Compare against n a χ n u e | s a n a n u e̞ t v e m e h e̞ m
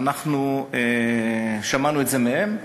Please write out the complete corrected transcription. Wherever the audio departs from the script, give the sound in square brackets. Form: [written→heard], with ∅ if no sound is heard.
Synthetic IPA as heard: n a χ n u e | [s→ʃ] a [n→m] a n u e̞ t [v→z] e m e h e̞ m